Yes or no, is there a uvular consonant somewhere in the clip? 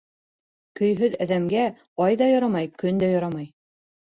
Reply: no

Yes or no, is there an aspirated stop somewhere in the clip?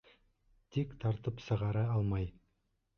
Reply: yes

